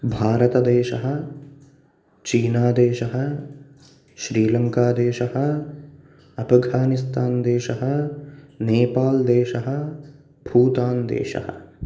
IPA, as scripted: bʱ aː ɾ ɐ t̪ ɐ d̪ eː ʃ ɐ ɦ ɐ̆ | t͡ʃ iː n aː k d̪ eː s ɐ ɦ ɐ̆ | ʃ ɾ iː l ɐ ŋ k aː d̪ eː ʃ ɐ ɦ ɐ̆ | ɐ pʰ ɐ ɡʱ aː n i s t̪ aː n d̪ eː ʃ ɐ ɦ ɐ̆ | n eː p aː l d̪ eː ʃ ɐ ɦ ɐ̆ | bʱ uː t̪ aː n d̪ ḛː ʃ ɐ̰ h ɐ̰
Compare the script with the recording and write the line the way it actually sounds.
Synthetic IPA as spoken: bʱ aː ɾ ɐ t̪ ɐ d̪ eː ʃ ɐ ɦ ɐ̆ | t͡ʃ iː n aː d̪ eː ʃ ɐ ɦ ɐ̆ | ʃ ɾ iː l ɐ ŋ k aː d̪ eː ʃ ɐ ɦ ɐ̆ | ɐ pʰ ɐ ɡʱ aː n i s t̪ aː n d̪ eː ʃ ɐ ɦ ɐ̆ | n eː p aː l d̪ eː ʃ ɐ ɦ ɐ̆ | bʱ uː t̪ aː n d̪ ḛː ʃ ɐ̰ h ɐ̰

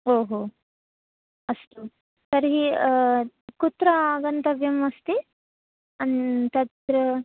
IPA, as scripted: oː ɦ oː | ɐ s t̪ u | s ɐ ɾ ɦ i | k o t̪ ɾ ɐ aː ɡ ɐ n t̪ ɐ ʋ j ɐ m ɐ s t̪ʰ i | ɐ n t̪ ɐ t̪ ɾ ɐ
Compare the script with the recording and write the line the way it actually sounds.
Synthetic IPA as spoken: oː ɦ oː | ɐ s t̪ u | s ɐ ɾ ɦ i | k u t̪ ɾ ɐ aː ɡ ɐ n t̪ ɐ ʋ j ɐ m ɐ s t̪ i | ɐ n t̪ ɐ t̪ ɾ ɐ

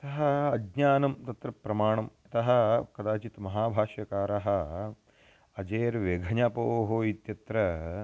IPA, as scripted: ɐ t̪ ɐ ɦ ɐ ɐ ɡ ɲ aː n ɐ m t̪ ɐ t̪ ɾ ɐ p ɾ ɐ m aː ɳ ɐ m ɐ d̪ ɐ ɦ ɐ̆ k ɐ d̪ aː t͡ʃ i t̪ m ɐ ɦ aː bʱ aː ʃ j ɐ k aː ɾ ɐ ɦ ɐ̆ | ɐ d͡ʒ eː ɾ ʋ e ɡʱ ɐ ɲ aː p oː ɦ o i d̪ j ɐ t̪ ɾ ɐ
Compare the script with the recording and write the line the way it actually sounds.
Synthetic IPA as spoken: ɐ t̪ ɐ ɦ ɐ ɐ ɡ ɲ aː n ɐ m t̪ ɐ t̪ ɾ ɐ p ɾ ɐ m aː ɳ ɐ m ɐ t̪ ɐ ɦ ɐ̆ k ɐ d̪ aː t͡ʃ i t̪ m ɐ ɦ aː bʱ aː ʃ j ɐ k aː ɾ ɐ ɦ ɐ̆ | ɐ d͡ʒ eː ɾ ʋ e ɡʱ ɐ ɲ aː p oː ɦ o i t̪ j ɐ t̪ ɾ ɐ

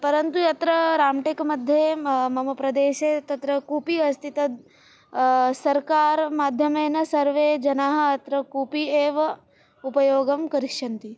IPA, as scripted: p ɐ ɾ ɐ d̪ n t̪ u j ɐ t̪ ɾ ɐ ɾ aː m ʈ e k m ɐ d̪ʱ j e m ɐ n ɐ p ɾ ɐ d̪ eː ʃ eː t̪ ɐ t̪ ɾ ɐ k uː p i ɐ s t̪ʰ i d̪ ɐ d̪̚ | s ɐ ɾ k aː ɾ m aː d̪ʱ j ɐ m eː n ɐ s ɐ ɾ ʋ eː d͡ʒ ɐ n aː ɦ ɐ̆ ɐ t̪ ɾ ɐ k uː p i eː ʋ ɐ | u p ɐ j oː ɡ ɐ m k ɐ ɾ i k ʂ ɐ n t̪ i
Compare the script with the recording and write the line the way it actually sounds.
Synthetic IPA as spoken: p ɐ ɾ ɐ n t̪ u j ɐ t̪ ɾ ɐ ɾ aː m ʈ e k m ɐ d̪ʱ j e m ɐ m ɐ p ɾ ɐ d̪ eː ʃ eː t̪ ɐ t̪ ɾ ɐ k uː p i ɐ s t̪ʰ i t̪ ɐ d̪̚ | s ɐ ɾ k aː ɾ m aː d̪ʱ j ɐ m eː n ɐ s ɐ ɾ ʋ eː d͡ʒ ɐ n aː ɦ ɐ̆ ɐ t̪ ɾ ɐ k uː p i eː ʋ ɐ | u p ɐ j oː ɡ ɐ m k ɐ ɾ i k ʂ ɐ n t̪ i

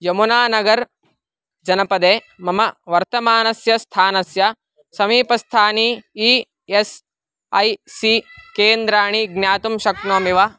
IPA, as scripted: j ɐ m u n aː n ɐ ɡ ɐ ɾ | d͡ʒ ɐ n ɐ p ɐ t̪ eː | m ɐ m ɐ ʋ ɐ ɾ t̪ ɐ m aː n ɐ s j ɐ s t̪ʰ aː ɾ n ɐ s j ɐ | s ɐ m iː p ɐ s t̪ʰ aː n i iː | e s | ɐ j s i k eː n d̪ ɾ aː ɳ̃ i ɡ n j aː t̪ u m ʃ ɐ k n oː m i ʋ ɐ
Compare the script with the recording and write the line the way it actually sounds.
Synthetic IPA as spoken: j ɐ m u n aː n ɐ ɡ ɐ ɾ | d͡ʒ ɐ n ɐ p ɐ d̪ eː | m ɐ m ɐ ʋ ɐ ɾ t̪ ɐ m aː n ɐ s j ɐ s t̪ʰ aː n ɐ s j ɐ | s ɐ m iː p ɐ s t̪ʰ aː n i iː | e s | ɐ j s i k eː n d̪ ɾ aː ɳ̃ i ɡ n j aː t̪ u m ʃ ɐ k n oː m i ʋ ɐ

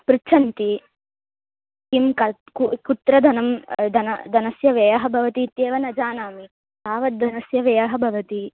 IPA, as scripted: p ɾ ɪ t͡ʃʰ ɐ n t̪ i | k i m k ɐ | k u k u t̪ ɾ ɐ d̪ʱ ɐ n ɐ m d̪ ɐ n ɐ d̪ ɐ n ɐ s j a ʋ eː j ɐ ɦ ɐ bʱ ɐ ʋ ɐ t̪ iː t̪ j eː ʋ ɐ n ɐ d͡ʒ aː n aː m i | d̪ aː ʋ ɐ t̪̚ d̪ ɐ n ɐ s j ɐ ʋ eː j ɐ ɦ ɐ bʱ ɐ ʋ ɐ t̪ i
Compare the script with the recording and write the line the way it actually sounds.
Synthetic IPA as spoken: p ɾ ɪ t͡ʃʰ ɐ n t̪ i | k i m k ɐ | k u k u t̪ ɾ ɐ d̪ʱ ɐ n ɐ m d̪ ɐ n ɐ d̪ ɐ n ɐ s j ɐ ʋ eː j ɐ ɦ ɐ bʱ ɐ ʋ ɐ t̪ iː t̪ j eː ʋ ɐ n ɐ d͡ʒ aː n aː m i | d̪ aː ʋ ɐ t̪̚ d̪ ɐ n ɐ s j ɐ ʋ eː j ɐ ɦ ɐ bʱ ɐ ʋ ɐ t̪ i

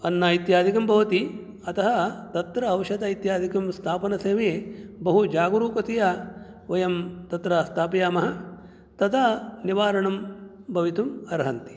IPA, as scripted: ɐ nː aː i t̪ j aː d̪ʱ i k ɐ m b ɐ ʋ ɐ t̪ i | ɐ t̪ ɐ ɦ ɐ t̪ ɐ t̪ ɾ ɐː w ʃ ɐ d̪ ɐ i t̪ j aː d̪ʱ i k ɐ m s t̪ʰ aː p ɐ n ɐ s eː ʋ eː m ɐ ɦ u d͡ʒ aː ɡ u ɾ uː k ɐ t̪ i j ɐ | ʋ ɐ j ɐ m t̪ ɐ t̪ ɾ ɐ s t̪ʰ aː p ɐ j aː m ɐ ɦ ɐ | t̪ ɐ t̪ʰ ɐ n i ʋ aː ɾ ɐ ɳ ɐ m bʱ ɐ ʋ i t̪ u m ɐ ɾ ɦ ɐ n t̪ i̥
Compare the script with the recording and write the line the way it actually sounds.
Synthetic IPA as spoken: ɐ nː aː i t̪ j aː d̪ʱ i k ɐ m b ɐ ʋ ɐ t̪ i | ɐ t̪ ɐ ɦ ɐ t̪ ɐ t̪ ɾ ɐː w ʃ ɐ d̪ ɐ i t̪ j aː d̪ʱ i k ɐ m s t̪ʰ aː p ɐ n ɐ s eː ʋ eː b ɐ ɦ u d͡ʒ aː ɡ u ɾ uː k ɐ t̪ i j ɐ | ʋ ɐ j ɐ m t̪ ɐ t̪ ɾ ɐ s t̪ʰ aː p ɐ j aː m ɐ ɦ ɐ | t̪ ɐ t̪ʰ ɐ n i ʋ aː ɾ ɐ ɳ ɐ m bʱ ɐ ʋ i t̪ u m ɐ ɾ ɦ ɐ n t̪ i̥

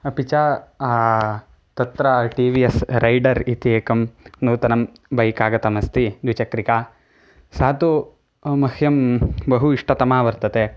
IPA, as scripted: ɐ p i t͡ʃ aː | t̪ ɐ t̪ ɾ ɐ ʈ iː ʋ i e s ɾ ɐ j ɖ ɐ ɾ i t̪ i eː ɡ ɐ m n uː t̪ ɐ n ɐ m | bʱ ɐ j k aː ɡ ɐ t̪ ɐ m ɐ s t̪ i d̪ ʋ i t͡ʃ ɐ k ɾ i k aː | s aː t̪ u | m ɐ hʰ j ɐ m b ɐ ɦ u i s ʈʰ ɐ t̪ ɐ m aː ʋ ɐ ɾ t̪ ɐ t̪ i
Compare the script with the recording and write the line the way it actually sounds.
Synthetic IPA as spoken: ɐ p i t͡ʃ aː | t̪ ɐ t̪ ɾ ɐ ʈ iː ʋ i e s ɾ ɐ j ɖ ɐ ɾ i t̪ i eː k ɐ m n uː t̪ ɐ n ɐ m | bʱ ɐ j k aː ɡ ɐ t̪ ɐ m ɐ s t̪ i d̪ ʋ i t͡ʃ ɐ k ɾ i k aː | s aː t̪ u | m ɐ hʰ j ɐ m b ɐ ɦ u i ʂ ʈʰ ɐ t̪ ɐ m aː ʋ ɐ ɾ t̪ ɐ t̪ e

